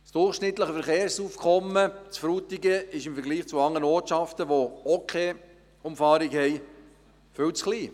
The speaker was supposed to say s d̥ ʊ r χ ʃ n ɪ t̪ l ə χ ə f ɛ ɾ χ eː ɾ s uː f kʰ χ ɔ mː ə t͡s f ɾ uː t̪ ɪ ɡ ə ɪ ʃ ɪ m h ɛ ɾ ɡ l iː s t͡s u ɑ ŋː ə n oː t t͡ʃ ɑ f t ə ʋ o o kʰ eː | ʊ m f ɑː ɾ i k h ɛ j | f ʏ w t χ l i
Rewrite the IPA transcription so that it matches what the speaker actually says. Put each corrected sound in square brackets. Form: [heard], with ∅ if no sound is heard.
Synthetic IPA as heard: s d̥ ʊ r χ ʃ n ɪ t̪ l ə χ ə f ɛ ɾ χ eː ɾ s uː f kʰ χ ɔ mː ə t͡s f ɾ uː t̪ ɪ ɡ ə ɪ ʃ ɪ m [f] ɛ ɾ ɡ l iː [χ] t͡s u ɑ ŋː ə n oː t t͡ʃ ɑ f t ə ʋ o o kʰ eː | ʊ m f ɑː ɾ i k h ɛ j | f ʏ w [t͡s] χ l [iː]